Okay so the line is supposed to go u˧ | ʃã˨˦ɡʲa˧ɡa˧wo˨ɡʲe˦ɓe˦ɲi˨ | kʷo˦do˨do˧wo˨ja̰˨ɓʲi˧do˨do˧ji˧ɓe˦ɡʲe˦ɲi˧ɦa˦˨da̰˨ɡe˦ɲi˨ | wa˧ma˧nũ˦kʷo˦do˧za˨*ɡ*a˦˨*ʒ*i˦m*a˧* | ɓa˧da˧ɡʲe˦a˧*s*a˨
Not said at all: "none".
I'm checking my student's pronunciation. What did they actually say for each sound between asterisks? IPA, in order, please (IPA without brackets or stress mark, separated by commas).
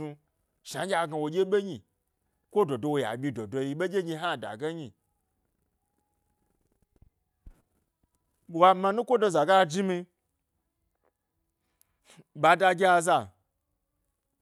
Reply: ɡ, d͡ʒ, i˧, z